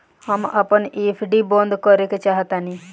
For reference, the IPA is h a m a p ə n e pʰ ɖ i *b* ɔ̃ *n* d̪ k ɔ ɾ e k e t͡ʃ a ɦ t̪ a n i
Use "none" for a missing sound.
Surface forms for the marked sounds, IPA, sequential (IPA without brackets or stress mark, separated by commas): b, n